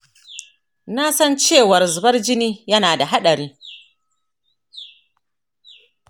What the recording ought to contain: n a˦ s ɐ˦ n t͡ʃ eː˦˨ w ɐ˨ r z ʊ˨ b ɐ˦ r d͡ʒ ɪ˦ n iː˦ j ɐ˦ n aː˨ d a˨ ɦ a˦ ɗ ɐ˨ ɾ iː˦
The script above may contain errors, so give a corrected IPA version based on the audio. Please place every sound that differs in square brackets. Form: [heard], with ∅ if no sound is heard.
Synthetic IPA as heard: n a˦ s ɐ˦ n t͡ʃ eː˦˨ w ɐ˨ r z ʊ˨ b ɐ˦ r d͡ʒ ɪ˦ n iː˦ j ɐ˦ n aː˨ d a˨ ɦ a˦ ɗ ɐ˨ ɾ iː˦